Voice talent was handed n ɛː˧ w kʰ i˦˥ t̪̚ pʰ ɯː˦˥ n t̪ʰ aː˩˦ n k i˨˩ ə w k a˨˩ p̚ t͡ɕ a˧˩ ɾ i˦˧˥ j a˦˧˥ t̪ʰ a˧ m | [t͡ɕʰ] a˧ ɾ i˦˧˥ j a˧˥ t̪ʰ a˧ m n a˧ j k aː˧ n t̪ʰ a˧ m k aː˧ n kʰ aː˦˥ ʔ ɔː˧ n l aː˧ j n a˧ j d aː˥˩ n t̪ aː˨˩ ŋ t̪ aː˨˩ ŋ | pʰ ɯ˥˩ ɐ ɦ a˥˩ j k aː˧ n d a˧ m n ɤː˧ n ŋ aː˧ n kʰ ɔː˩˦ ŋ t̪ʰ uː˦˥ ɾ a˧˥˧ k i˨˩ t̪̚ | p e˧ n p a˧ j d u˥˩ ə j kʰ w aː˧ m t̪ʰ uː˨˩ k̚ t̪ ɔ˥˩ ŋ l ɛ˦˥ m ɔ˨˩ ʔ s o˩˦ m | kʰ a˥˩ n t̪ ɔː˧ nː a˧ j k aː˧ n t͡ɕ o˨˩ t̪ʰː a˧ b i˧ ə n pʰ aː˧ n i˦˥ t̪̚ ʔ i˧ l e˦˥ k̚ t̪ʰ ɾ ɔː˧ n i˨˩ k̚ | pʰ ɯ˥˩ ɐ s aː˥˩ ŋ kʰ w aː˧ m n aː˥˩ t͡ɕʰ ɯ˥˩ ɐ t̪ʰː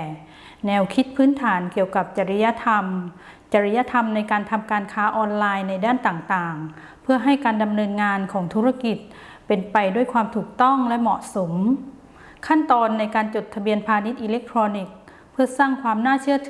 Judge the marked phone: incorrect: t͡ɕ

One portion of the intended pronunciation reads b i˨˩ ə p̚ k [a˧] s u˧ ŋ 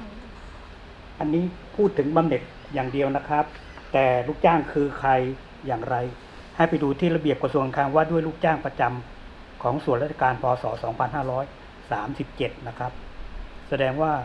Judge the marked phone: correct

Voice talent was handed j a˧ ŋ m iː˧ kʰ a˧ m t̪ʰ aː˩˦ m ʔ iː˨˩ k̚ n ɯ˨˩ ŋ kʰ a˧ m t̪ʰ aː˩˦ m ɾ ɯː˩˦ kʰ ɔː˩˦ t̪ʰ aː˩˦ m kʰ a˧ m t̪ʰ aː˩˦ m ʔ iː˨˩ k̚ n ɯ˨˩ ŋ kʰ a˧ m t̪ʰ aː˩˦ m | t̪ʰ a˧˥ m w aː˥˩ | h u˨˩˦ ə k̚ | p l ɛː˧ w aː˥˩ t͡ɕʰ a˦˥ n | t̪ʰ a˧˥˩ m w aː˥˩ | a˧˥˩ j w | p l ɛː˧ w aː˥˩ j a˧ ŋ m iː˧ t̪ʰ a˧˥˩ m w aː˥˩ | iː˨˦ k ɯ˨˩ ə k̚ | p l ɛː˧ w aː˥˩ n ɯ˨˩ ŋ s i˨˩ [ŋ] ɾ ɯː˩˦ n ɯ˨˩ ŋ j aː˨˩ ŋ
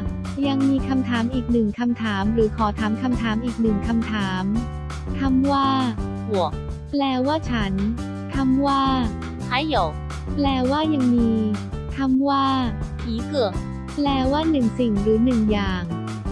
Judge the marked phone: correct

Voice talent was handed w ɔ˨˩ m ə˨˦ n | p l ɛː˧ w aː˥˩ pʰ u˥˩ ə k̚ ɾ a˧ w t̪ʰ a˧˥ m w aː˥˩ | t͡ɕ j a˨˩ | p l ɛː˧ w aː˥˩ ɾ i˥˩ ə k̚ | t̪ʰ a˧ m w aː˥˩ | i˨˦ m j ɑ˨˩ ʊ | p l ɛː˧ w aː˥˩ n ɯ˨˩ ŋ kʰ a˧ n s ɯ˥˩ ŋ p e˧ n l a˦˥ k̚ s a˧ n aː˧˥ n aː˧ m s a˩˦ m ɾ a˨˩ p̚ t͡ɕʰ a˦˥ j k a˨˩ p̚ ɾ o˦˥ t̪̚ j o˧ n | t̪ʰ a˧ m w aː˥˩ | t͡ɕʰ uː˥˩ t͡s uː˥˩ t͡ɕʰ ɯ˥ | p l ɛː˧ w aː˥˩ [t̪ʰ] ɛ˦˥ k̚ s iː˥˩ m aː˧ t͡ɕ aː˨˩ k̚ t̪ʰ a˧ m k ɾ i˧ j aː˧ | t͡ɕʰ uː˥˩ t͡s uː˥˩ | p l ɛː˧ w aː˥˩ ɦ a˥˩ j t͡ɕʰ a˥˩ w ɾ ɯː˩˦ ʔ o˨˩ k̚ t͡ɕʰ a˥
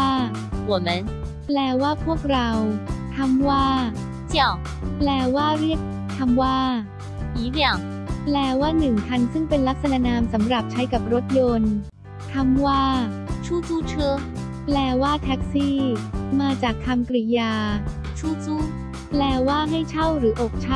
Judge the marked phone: correct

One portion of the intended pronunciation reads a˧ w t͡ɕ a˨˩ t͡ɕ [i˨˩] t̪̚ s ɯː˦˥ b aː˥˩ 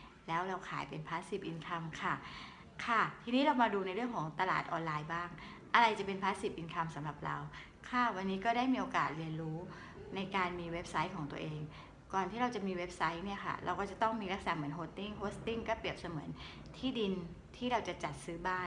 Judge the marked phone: incorrect: a˨˩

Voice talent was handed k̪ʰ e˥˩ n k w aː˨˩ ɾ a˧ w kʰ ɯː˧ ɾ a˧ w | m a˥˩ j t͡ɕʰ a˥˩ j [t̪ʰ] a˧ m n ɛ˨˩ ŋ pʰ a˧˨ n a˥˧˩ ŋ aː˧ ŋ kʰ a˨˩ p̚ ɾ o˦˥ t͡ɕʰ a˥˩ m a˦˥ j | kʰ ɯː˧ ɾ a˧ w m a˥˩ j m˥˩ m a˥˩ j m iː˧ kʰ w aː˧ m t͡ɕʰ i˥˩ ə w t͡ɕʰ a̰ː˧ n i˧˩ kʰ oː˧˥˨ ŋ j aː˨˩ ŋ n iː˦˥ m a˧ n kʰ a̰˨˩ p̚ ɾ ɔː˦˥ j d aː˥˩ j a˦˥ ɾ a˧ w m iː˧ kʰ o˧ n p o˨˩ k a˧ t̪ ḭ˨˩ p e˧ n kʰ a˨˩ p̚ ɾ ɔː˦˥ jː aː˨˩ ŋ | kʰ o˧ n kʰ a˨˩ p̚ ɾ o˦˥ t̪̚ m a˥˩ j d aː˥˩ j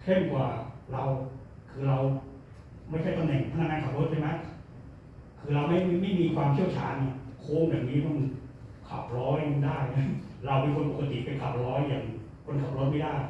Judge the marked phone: incorrect: t̪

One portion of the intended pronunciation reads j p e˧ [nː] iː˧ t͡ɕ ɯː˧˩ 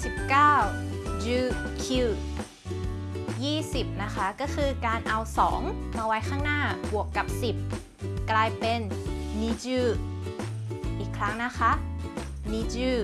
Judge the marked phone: correct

